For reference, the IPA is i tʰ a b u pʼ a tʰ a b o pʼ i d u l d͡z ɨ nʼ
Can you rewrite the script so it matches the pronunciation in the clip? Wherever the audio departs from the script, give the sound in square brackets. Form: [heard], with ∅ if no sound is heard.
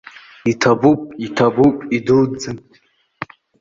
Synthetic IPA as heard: i tʰ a b u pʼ [i] tʰ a b [u] pʼ i d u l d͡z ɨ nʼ